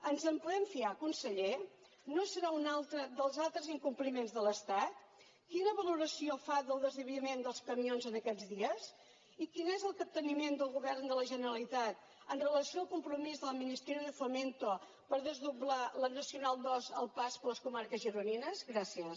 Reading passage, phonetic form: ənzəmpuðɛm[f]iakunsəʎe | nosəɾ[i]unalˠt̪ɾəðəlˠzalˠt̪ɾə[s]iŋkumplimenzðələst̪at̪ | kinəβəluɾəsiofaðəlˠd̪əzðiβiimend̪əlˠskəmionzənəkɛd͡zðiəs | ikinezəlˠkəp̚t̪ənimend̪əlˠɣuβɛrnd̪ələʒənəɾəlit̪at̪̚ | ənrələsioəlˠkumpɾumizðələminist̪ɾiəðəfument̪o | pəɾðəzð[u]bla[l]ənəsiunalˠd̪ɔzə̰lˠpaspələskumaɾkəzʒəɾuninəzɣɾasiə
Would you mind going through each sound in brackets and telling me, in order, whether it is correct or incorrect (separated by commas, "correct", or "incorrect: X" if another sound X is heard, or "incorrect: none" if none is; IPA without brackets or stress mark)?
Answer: correct, incorrect: a, incorrect: z, correct, correct